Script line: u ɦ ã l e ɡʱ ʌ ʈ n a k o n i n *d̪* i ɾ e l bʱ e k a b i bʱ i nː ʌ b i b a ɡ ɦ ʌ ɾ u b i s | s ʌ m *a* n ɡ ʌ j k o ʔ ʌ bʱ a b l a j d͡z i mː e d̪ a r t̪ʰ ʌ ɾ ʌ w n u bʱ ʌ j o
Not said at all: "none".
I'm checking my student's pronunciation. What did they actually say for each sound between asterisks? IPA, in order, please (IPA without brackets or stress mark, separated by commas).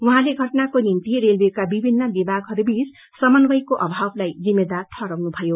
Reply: t̪, ʌ